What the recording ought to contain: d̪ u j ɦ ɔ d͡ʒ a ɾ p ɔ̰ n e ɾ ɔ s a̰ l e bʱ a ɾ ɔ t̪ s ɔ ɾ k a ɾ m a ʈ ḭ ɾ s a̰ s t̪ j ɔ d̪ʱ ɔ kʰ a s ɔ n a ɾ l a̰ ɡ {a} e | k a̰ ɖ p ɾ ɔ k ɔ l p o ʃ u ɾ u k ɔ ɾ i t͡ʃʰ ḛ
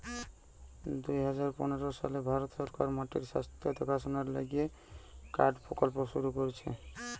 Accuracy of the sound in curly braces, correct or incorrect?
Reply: incorrect